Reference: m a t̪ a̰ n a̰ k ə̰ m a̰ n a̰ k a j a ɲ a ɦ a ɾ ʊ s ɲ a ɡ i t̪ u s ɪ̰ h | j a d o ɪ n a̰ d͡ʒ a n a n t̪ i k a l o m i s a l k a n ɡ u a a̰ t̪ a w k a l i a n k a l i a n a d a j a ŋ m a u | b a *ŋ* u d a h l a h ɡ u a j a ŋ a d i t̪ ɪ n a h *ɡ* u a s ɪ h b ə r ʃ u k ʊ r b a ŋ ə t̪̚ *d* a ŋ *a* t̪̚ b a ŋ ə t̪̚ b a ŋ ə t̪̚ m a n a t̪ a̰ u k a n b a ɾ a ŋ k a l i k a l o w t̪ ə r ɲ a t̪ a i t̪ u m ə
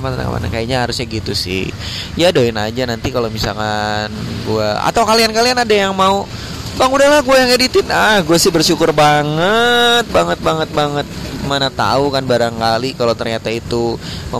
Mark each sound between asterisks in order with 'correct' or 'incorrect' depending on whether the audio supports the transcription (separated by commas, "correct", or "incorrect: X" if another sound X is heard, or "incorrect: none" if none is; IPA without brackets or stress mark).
correct, correct, incorrect: b, incorrect: ə